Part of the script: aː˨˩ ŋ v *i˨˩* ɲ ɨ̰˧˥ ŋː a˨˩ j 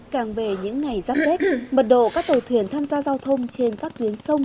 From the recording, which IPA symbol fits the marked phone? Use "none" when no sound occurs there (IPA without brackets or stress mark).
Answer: e˨˩